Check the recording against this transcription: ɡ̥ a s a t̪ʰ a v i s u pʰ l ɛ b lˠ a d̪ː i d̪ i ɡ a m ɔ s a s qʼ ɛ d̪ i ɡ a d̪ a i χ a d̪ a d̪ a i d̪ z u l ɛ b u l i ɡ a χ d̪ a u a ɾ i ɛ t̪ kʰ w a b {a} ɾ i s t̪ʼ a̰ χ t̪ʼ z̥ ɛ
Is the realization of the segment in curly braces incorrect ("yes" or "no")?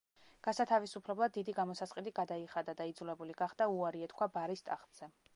no